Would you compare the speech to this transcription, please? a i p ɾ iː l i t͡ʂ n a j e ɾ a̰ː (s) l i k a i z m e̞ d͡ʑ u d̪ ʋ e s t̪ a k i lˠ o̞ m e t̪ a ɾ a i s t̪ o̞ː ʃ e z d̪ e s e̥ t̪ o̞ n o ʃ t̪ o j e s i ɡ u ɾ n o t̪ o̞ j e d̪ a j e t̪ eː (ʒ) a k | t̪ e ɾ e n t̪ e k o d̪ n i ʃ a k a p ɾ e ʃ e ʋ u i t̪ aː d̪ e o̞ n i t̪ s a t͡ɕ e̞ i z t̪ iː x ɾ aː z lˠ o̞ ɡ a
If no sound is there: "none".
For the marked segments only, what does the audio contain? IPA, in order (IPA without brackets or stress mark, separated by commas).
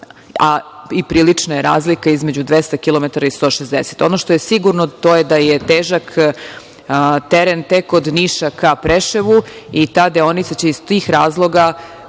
z, ʒ